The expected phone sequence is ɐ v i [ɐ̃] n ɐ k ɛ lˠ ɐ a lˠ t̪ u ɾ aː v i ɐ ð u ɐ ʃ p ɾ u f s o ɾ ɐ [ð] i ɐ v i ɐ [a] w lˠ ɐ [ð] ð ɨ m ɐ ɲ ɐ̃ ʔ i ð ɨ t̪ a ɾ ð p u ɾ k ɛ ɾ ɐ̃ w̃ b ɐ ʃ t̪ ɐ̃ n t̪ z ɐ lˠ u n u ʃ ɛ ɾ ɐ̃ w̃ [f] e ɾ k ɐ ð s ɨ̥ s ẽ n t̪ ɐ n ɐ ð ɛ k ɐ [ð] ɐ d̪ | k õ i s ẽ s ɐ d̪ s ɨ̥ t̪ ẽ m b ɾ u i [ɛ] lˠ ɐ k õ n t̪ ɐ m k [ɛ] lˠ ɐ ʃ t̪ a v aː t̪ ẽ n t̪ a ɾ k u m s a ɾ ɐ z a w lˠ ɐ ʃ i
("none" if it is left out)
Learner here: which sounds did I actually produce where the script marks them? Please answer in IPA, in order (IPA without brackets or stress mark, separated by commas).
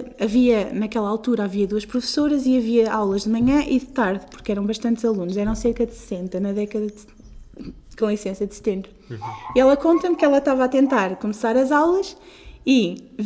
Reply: ɐ, z, a, ʒ, s, ð, ɛ, ɛ